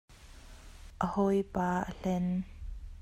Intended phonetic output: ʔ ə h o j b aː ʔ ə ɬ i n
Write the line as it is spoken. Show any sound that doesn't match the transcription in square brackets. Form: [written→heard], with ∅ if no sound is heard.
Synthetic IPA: ʔ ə h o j [b→p] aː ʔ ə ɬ [i→ɛ] n

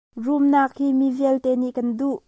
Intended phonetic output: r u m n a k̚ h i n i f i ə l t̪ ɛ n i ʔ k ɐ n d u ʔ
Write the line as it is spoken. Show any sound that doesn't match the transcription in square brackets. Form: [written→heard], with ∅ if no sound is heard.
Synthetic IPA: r u m n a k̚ h i [n→m] i [f→v] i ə l t̪ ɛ n i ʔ k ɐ n d u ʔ

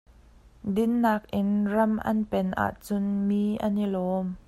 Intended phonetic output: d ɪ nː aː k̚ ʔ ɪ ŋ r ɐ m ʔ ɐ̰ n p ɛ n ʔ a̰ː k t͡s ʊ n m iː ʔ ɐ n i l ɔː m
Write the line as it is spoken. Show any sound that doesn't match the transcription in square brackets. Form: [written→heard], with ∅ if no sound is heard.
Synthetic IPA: d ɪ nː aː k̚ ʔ ɪ [ŋ→n] r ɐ m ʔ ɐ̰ n p ɛ n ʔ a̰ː [k→ʔ] t͡s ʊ n m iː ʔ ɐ n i l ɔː m

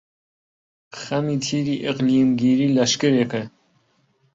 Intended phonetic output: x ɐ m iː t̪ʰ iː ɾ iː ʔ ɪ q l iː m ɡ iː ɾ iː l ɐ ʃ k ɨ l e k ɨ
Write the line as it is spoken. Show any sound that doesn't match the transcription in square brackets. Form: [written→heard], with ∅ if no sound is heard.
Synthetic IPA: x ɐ m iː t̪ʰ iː ɾ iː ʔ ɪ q l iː m ɡ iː ɾ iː l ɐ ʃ k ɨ [l→ɾ] e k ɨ

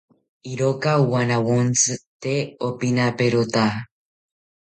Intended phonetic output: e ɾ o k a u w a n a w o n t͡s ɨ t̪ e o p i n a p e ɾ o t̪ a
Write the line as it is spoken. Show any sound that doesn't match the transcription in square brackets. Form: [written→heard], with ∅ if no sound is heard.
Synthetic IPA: [e→i] ɾ o k a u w a n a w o n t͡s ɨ t̪ e o p i n a p e ɾ o t̪ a

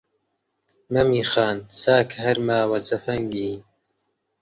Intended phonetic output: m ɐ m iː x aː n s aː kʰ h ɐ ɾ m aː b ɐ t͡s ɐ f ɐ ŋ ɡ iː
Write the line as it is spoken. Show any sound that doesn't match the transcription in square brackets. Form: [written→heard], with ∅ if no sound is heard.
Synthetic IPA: m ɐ m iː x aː n s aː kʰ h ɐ ɾ m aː [b→w] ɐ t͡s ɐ f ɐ ŋ ɡ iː

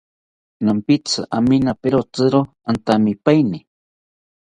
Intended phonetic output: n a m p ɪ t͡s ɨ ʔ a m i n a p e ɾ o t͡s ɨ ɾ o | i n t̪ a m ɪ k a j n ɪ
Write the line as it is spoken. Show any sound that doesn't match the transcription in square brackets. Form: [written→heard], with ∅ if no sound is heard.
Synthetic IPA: n a m p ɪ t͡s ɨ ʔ a m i n a p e ɾ o t͡s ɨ ɾ o | [i→a] n t̪ a m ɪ [k→p] a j n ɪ

